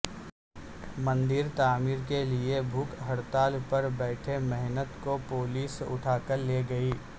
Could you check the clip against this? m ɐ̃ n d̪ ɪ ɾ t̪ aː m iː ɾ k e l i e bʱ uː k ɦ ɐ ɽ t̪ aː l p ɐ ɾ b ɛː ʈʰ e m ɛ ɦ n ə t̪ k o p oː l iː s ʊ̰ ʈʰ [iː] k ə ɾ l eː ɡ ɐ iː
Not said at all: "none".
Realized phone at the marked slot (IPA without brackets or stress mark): aː